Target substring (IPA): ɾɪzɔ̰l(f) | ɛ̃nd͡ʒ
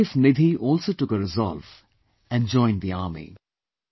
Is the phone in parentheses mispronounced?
yes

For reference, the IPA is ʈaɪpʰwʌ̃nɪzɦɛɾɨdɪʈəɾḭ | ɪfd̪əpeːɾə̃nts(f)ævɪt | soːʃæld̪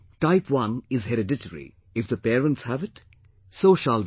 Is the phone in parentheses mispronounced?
yes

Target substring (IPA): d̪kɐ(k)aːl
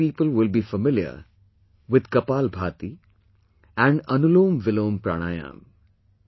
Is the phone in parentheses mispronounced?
yes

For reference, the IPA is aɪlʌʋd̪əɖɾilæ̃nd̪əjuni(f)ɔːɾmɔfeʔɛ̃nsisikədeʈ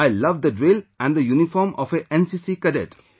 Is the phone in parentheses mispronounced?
no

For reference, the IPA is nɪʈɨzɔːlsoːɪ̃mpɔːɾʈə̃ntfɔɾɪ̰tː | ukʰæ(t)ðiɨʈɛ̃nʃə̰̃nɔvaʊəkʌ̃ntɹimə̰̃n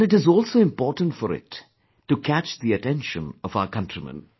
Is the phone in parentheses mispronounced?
yes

